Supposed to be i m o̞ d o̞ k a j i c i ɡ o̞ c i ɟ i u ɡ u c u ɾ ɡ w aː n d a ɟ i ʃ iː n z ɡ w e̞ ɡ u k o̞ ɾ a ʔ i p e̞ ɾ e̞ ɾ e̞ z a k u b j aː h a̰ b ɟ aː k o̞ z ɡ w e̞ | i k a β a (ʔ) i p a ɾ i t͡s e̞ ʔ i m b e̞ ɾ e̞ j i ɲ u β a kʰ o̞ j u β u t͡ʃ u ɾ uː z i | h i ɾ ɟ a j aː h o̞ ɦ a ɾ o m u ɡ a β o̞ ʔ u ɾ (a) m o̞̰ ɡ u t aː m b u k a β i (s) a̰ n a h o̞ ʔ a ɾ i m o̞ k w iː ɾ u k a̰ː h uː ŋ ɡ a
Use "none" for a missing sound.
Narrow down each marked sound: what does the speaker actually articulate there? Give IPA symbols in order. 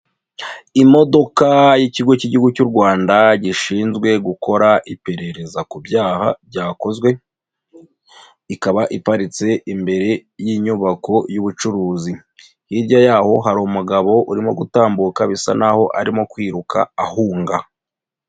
ʔ, i, s

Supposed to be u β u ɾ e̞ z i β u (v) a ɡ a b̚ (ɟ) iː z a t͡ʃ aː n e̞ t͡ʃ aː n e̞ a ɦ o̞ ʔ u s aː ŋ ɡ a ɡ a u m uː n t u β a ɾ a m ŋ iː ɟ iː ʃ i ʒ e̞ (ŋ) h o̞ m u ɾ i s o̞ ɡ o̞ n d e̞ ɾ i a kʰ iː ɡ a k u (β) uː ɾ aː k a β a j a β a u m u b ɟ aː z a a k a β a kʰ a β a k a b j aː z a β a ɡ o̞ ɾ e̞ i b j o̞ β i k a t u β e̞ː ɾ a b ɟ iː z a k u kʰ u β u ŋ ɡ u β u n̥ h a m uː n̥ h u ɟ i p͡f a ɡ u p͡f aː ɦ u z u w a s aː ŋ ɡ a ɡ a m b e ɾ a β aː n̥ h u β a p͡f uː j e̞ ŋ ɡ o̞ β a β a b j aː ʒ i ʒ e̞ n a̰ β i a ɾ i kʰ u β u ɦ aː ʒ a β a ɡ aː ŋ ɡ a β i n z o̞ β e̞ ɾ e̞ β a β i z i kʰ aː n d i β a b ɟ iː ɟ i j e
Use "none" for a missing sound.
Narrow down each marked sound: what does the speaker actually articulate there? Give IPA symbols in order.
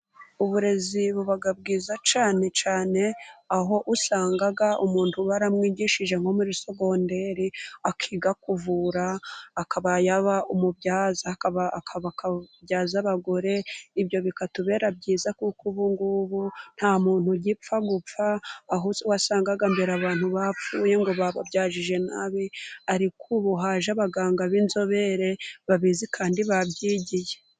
β, ɡ, ŋ, v

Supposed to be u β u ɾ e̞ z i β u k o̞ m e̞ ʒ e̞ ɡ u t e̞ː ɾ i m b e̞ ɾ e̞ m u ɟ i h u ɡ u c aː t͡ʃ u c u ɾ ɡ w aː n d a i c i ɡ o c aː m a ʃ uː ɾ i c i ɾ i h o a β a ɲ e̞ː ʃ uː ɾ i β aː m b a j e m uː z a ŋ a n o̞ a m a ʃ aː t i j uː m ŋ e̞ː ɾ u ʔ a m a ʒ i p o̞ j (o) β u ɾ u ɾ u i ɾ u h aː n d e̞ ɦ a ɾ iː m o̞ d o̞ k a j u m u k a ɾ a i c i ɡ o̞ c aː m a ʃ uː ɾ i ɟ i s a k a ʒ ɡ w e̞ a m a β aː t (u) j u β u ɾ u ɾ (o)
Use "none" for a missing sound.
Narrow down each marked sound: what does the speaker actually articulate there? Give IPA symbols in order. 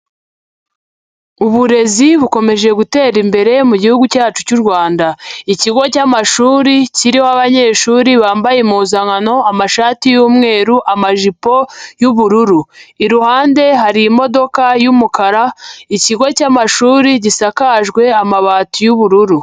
u, u, u

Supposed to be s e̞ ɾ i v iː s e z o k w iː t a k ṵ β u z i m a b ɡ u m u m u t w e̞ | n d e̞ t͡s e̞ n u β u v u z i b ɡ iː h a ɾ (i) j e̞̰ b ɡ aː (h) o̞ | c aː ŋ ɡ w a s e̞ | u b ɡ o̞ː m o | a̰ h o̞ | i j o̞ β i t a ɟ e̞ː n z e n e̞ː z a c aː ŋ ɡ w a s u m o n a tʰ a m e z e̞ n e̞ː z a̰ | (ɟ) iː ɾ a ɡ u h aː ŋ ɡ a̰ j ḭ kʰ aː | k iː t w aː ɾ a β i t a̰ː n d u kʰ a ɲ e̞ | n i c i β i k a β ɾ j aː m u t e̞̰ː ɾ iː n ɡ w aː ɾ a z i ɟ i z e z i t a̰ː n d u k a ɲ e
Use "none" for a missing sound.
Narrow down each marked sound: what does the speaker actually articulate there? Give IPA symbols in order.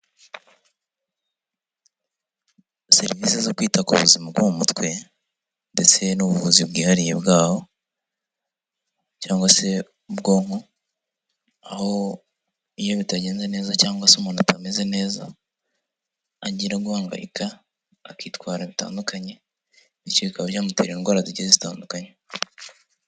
i, h, ɟ

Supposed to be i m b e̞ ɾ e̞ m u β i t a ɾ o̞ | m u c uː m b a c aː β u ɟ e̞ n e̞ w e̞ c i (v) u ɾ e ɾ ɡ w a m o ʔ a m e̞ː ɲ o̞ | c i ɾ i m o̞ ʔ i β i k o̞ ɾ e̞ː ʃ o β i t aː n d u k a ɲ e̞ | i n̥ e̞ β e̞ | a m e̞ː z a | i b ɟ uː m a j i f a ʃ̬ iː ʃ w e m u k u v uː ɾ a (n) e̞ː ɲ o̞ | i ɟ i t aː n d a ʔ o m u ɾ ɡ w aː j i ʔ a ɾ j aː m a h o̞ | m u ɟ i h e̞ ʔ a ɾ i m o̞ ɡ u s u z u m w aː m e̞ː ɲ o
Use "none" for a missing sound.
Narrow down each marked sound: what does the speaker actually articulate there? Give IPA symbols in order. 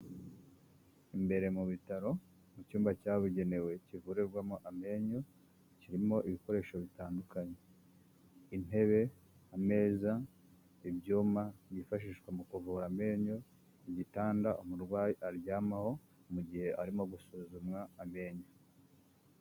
v, m

